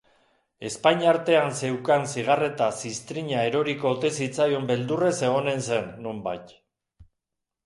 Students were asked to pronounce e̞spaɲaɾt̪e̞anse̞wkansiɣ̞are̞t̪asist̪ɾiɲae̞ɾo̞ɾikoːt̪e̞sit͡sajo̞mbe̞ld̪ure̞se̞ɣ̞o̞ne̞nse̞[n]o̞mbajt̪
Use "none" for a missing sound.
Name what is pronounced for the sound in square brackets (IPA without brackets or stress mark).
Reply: nː